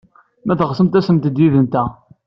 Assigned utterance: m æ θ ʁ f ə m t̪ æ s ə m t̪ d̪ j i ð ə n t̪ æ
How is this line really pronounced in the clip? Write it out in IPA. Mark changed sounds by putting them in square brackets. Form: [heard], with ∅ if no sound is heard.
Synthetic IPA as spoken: m æ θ ʁ [s] ə m t̪ æ s ə m t̪ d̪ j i ð ə n t̪ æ